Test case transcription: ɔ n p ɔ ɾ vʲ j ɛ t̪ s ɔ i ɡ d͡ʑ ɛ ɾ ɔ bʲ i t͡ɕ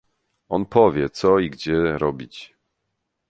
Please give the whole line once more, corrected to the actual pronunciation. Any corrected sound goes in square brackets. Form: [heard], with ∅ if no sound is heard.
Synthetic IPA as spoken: ɔ n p ɔ [∅] vʲ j ɛ t̪ s ɔ i ɡ d͡ʑ ɛ ɾ ɔ bʲ i t͡ɕ